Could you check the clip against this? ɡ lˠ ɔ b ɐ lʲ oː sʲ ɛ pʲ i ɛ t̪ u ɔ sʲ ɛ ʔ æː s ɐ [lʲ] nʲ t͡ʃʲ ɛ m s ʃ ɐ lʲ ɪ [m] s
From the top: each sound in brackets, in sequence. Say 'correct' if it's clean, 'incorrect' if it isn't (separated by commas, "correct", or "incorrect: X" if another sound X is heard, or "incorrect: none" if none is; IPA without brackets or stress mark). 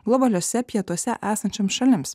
incorrect: none, correct